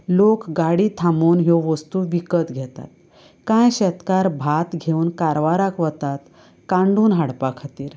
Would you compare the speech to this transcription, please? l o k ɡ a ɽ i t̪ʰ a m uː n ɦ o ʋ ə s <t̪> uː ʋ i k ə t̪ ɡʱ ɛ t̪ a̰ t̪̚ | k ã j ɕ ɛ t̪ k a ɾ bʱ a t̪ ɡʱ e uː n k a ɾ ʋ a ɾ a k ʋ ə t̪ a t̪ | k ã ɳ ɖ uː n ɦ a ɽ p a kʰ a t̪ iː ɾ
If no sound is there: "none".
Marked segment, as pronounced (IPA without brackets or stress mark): t̪